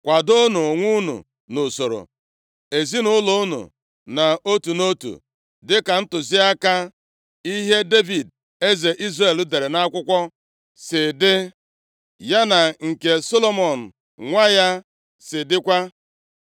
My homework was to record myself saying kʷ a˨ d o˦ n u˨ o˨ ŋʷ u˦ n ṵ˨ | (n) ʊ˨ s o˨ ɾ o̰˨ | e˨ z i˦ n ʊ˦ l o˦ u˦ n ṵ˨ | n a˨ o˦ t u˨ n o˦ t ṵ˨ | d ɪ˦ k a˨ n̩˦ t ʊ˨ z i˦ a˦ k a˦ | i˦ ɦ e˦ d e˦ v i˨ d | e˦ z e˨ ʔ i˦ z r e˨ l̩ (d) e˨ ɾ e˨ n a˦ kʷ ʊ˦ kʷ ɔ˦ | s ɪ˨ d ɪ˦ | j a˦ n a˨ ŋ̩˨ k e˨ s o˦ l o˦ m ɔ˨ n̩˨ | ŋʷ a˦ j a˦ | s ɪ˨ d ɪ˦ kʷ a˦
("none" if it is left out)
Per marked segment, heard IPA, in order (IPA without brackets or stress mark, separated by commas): n, d